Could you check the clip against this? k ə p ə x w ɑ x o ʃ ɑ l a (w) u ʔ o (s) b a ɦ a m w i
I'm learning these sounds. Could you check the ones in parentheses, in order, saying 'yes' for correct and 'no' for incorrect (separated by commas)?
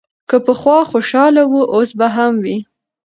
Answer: yes, yes